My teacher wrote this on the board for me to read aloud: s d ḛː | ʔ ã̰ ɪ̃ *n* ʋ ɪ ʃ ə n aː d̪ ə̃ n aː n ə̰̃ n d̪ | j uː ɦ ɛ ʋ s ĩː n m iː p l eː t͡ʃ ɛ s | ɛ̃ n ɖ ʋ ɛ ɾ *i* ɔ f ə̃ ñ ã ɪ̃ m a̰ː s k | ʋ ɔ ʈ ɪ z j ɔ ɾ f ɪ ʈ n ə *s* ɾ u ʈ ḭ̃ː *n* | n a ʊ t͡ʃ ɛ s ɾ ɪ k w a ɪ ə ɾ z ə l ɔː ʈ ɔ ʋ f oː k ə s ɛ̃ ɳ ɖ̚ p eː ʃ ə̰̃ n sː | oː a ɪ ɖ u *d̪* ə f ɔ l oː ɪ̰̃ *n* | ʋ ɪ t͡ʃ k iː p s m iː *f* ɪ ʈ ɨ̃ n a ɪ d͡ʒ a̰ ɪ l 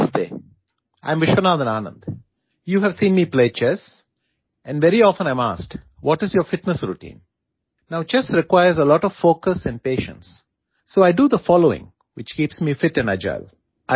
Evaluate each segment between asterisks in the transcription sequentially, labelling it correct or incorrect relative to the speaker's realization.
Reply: incorrect, correct, correct, correct, correct, incorrect, correct

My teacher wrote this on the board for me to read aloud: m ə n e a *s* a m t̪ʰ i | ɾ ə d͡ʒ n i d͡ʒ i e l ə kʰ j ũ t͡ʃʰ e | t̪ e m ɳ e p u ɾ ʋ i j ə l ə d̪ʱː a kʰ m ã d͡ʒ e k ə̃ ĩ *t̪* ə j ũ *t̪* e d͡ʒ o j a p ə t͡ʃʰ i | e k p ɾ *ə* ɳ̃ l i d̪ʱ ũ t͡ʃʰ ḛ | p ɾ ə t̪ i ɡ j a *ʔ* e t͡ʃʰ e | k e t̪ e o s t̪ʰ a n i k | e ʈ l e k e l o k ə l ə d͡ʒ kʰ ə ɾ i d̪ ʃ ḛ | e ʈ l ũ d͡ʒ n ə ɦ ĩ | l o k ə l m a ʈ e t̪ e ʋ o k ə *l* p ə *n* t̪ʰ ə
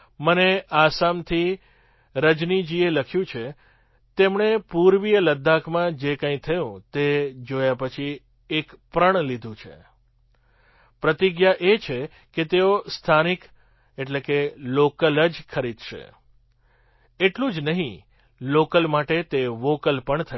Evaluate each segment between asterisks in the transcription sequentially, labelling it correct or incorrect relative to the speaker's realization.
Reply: correct, incorrect, correct, correct, correct, correct, incorrect

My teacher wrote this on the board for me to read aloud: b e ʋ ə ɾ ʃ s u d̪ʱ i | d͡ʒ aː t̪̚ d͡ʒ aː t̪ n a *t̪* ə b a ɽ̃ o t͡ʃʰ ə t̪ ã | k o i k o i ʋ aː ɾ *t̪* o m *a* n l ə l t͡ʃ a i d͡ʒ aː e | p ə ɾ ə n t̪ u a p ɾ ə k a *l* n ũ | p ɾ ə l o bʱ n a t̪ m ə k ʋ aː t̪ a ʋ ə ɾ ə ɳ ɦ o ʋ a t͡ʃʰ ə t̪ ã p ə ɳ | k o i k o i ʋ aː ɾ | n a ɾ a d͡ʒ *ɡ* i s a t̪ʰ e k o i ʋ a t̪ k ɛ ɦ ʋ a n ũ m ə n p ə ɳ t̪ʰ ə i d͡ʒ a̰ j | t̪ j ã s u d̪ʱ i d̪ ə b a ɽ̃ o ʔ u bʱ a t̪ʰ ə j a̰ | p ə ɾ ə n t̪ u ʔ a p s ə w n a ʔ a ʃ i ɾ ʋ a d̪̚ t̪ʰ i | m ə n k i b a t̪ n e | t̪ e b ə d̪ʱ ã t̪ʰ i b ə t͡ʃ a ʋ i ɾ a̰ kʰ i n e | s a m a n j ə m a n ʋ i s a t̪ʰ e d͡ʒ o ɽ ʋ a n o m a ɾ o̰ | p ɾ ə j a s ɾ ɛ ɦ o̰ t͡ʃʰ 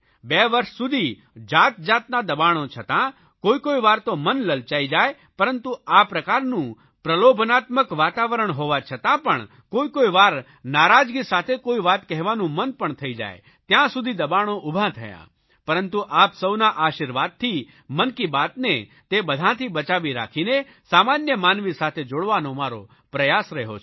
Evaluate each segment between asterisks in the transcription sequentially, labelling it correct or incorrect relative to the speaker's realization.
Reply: incorrect, correct, incorrect, incorrect, correct

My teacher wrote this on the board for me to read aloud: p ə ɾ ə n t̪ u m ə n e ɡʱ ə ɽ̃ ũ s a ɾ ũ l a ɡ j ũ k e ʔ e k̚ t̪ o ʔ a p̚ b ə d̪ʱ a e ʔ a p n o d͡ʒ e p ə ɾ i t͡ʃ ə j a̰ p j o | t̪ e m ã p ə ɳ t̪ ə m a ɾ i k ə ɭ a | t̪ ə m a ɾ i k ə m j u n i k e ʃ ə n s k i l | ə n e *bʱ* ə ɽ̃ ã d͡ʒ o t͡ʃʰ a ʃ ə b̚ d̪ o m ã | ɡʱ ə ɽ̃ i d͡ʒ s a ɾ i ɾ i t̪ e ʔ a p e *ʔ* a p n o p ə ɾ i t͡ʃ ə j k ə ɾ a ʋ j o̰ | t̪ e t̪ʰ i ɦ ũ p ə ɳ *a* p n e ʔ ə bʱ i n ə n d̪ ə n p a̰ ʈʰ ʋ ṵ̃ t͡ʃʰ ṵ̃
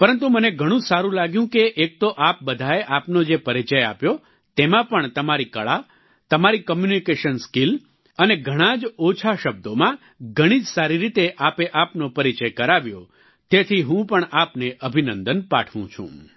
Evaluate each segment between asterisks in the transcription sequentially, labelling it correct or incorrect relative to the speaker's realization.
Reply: incorrect, correct, correct

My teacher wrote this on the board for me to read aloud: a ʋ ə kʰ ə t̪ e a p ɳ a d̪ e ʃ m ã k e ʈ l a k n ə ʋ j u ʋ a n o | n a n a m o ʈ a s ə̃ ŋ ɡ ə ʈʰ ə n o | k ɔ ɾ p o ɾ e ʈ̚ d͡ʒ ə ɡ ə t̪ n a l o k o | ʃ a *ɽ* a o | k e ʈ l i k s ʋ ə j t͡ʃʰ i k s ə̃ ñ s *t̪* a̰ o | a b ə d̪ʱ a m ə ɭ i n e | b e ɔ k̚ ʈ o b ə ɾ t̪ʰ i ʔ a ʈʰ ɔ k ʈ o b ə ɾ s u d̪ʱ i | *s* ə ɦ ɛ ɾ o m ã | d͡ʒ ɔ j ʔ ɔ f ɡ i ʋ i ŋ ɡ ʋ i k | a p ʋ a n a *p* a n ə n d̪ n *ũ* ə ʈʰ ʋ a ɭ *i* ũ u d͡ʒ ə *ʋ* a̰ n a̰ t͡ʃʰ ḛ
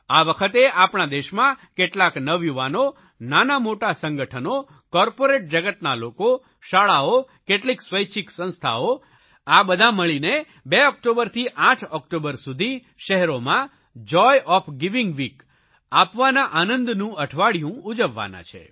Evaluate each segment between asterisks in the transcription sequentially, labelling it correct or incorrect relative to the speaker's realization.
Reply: incorrect, incorrect, incorrect, incorrect, correct, incorrect, incorrect

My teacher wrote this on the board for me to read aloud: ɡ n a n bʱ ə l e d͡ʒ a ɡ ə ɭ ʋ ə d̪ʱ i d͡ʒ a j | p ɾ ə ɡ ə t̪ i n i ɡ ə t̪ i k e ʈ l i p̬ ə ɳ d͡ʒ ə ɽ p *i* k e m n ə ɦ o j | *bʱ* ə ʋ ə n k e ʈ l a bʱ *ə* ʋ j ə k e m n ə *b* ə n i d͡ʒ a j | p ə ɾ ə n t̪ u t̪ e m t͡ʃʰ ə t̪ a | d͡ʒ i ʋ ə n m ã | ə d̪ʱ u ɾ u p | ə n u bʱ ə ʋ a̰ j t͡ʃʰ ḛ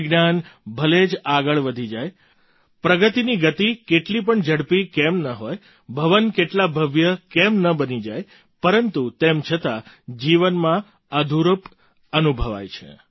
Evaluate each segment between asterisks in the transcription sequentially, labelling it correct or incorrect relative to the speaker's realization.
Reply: correct, correct, correct, correct

